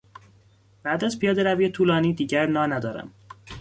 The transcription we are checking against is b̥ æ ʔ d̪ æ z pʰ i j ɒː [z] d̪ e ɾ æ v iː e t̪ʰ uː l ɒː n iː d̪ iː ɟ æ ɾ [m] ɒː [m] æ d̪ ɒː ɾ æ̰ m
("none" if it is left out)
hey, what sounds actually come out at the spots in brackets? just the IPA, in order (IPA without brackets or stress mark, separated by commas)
none, n, n